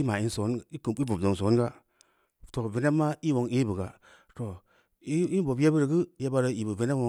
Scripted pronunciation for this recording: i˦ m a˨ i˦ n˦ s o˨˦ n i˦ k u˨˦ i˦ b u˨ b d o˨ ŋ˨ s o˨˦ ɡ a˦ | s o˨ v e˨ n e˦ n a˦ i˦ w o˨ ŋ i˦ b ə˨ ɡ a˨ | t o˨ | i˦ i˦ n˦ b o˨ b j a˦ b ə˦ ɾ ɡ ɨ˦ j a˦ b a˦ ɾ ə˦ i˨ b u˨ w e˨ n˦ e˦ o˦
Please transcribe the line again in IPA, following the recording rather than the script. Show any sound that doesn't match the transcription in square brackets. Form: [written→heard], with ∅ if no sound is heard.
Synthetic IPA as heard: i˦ m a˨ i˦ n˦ s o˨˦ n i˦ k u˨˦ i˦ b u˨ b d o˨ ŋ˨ s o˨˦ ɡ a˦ | [s→t] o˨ v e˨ n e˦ [n→m] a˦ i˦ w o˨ ŋ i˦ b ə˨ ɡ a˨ | t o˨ | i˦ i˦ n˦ b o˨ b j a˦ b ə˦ ɾ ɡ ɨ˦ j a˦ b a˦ ɾ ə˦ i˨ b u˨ [w→v] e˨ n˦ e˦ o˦

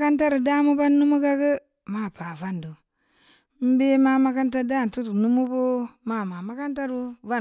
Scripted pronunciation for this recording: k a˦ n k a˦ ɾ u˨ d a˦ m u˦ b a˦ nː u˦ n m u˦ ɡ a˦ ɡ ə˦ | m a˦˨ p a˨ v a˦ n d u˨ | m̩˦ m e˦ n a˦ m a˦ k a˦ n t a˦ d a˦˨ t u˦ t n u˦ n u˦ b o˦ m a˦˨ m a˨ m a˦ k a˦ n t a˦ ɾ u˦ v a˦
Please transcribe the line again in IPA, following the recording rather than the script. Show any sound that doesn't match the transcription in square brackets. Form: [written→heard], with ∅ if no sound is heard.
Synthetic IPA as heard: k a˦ n [k→t] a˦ ɾ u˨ d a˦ m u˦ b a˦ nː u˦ [n→∅] m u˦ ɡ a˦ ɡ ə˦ | m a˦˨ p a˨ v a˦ n d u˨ | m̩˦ [m→b] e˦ [n→m] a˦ m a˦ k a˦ n t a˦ d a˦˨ t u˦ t n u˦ [n→m] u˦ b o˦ m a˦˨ m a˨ m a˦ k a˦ n t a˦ ɾ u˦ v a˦

